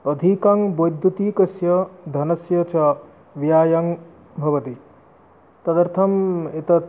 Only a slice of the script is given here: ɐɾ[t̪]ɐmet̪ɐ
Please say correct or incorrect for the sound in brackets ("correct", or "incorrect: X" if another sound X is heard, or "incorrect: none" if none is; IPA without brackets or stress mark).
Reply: incorrect: t̪ʰ